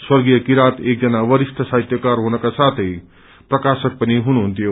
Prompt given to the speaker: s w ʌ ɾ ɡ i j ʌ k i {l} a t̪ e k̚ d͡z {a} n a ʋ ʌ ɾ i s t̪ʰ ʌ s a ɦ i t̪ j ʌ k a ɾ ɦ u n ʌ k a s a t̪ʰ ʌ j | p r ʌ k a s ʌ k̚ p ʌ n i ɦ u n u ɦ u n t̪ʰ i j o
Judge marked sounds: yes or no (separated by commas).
no, no